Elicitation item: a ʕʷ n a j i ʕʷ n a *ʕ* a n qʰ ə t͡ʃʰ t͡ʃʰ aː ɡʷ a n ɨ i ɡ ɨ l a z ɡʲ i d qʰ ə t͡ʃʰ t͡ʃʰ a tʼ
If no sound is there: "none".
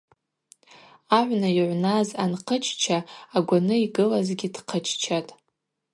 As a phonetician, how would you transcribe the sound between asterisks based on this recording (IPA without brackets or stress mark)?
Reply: z